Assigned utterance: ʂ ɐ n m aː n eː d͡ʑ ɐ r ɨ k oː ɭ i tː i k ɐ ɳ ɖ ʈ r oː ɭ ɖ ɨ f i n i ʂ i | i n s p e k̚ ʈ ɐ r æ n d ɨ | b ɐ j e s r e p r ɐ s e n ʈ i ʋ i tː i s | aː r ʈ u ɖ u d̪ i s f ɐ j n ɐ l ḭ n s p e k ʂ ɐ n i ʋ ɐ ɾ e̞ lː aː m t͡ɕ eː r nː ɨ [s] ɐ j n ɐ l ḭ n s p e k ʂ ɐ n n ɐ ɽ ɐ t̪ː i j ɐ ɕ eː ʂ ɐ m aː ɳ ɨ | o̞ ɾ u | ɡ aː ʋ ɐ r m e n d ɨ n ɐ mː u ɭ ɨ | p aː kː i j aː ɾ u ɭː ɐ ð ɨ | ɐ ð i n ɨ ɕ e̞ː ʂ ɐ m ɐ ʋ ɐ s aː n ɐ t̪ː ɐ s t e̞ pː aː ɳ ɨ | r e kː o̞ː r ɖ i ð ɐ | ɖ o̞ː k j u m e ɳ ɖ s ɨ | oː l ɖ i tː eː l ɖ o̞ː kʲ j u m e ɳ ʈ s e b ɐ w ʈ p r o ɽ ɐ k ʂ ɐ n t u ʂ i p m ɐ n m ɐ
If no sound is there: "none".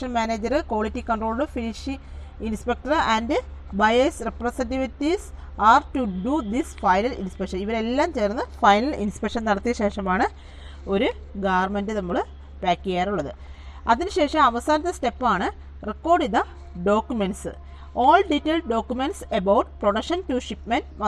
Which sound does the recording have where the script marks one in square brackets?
f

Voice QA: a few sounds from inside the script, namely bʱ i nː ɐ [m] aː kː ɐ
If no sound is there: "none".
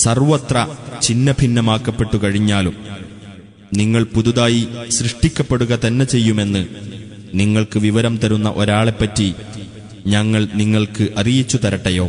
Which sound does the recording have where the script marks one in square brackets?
m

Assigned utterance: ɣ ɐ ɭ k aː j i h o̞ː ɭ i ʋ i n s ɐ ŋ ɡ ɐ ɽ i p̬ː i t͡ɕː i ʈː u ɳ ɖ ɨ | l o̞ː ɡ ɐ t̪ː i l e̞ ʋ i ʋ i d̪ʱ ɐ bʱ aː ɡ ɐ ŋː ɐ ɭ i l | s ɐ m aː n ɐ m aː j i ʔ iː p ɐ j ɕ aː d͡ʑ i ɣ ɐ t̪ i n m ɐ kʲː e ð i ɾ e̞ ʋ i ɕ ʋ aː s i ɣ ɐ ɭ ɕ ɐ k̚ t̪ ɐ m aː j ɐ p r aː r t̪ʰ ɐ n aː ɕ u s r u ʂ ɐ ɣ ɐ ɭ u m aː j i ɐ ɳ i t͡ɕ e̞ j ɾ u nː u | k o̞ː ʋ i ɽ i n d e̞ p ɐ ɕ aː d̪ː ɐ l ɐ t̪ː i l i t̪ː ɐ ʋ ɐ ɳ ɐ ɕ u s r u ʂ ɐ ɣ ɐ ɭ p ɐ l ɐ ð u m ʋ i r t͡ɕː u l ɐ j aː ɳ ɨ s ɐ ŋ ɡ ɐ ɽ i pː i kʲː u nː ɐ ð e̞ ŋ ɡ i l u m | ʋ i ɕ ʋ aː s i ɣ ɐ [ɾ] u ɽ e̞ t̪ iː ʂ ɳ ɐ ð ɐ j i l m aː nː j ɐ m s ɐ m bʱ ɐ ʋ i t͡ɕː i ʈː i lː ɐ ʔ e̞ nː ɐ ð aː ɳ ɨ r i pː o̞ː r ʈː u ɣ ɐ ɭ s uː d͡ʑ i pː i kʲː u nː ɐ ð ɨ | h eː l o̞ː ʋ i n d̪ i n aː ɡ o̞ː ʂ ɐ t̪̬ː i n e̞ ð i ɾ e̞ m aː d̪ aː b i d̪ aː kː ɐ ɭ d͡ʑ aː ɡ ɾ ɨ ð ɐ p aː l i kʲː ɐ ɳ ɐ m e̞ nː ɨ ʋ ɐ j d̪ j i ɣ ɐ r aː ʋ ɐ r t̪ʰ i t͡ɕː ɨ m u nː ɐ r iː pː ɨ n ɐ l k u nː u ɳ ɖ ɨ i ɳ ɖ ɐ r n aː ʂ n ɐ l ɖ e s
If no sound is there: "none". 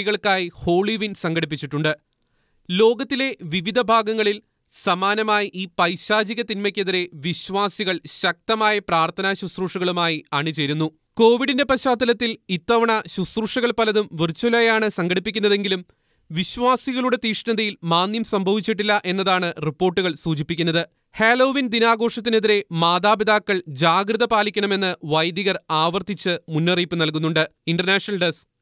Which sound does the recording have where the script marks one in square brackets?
ɭ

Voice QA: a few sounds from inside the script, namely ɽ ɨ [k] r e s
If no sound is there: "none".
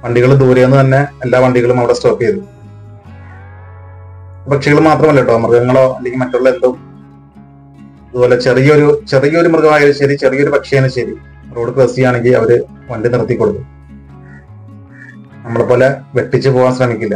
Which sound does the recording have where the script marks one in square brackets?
k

